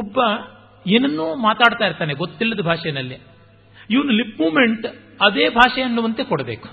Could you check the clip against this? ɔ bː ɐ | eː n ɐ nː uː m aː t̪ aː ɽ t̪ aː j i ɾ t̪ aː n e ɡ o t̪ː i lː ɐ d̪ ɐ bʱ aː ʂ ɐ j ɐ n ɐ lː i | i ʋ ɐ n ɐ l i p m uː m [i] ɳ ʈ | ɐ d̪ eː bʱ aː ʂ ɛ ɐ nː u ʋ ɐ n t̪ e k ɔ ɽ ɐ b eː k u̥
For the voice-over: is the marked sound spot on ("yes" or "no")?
no